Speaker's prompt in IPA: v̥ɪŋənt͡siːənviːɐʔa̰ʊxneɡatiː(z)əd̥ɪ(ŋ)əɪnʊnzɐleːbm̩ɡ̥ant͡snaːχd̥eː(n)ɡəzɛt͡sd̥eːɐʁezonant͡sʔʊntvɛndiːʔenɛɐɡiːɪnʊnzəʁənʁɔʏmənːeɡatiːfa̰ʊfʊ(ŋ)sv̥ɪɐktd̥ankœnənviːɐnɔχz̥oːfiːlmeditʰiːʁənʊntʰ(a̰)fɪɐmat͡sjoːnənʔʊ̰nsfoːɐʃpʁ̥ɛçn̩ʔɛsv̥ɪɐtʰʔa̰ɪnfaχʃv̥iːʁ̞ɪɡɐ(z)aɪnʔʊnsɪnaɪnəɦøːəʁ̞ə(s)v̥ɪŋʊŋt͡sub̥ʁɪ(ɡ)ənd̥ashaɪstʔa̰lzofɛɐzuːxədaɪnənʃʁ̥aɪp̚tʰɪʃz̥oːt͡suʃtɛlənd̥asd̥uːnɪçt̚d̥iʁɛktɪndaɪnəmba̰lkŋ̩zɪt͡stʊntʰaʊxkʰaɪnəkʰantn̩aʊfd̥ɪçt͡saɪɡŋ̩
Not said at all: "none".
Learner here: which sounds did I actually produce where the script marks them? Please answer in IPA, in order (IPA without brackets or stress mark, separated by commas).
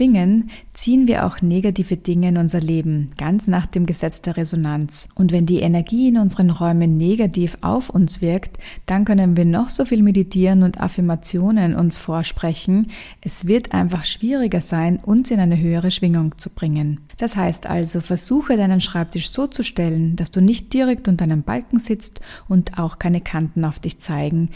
v, ŋ, m, n, a̰, z, ʃ, ŋ